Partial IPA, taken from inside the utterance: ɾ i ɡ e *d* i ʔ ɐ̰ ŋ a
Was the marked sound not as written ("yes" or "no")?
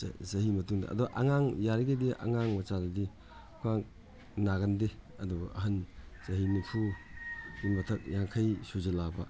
no